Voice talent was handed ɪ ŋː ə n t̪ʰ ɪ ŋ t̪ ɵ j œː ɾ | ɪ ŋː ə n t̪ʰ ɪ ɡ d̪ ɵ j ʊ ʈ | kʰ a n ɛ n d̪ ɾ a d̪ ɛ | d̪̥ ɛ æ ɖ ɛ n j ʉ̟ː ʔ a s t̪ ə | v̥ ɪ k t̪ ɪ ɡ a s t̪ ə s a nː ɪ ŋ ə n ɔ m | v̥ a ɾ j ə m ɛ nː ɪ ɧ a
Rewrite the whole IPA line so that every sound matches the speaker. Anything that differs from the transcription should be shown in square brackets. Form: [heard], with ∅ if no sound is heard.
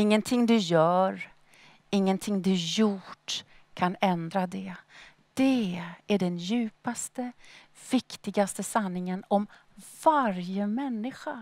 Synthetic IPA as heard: ɪ ŋː ə n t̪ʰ ɪ ŋ [d̪] ɵ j œː ɾ | ɪ ŋː ə n t̪ʰ ɪ [ŋ] d̪ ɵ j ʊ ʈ | kʰ a n ɛ n d̪ ɾ a d̪ ɛ | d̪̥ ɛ æ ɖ ɛ n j ʉ̟ː [p] a s t̪ ə | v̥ ɪ k t̪ ɪ ɡ a s t̪ ə s a nː ɪ ŋ ə n ɔ m | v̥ a ɾ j ə m ɛ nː ɪ ɧ a